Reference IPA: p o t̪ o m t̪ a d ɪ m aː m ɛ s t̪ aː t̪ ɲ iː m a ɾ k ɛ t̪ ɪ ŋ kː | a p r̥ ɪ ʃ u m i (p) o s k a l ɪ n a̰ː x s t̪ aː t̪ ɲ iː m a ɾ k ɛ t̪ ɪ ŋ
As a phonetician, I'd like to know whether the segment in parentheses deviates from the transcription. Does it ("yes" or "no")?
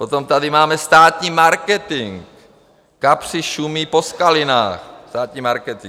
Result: no